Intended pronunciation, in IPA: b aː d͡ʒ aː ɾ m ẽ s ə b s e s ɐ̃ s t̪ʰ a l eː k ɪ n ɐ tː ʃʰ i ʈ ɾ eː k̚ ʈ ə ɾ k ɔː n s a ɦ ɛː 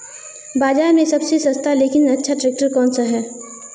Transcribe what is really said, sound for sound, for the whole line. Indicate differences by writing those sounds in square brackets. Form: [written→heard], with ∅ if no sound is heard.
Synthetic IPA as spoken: b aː d͡ʒ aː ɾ m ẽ s [ə→ɐ] b s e s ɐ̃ s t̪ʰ a l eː k ɪ n ɐ tː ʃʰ [i→a] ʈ ɾ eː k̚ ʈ ə ɾ k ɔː n s a ɦ ɛː